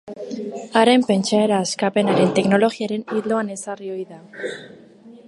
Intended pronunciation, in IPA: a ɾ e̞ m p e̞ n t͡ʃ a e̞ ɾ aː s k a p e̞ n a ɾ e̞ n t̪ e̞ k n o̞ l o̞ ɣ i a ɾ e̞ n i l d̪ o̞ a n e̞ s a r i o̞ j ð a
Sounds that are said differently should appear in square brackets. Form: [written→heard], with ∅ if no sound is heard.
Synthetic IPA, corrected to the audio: a ɾ e̞ m p e̞ n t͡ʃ a e̞ ɾ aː s k a p e̞ n a ɾ e̞ n t̪ e̞ k n o̞ l o̞ ɣ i a ɾ e̞ n i l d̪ o̞ a n e̞ s a r i o̞ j ð a